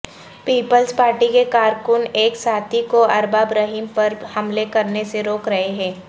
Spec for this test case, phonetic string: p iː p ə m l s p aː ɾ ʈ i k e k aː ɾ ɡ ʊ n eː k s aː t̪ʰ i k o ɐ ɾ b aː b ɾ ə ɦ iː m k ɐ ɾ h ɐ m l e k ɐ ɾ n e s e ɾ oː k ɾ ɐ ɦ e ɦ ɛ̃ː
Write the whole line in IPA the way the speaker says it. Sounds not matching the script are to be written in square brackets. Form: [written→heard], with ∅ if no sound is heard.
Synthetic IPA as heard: p iː p ə [m→∅] l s p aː ɾ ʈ i k e k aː ɾ [ɡ→k] ʊ n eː k s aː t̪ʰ i k o ɐ ɾ b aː b ɾ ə ɦ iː m [k→p] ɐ ɾ h ɐ m l e k ɐ ɾ n e s e ɾ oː k ɾ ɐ ɦ e ɦ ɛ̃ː